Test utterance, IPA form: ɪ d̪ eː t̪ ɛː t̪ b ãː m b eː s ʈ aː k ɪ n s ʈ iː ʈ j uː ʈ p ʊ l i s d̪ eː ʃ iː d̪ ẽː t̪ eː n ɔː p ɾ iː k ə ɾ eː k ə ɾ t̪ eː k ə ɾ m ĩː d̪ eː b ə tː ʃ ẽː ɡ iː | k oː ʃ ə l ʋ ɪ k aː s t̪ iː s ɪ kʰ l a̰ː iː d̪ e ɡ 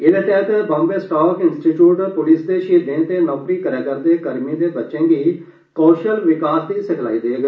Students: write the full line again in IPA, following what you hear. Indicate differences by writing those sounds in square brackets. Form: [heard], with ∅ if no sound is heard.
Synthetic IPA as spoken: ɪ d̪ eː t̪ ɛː t̪ b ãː m b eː s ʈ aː k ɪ n s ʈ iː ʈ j uː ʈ p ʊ l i s d̪ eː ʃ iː d̪ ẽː t̪ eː n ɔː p ɾ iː k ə ɾ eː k ə ɾ [d̪] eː k ə ɾ m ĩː d̪ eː b ə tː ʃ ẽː ɡ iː | k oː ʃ ə l ʋ ɪ k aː s [d̪] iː s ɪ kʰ l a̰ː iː d̪ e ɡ